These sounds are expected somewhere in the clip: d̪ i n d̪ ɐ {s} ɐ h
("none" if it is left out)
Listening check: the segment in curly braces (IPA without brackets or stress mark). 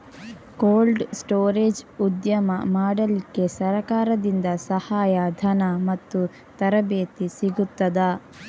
s